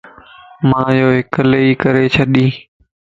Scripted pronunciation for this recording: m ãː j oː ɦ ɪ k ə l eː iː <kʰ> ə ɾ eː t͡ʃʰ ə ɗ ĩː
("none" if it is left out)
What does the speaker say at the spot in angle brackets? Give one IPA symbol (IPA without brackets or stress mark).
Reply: k